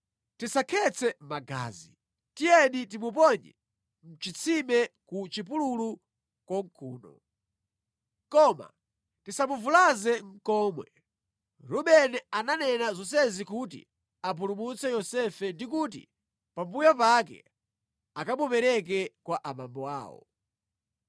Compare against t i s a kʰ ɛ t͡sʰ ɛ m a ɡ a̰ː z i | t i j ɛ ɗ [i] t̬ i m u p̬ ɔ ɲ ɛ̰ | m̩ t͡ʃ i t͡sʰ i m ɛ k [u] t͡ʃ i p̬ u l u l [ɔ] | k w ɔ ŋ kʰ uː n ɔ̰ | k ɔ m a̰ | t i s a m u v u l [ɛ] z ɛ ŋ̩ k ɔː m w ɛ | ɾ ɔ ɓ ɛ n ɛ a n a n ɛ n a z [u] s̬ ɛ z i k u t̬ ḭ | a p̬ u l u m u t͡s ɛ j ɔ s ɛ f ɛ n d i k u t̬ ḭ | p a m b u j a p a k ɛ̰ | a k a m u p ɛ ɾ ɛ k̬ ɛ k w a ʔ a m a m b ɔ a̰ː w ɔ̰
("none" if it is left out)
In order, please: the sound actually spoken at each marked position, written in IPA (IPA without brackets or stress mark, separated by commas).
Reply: i, u, u, a, ɔ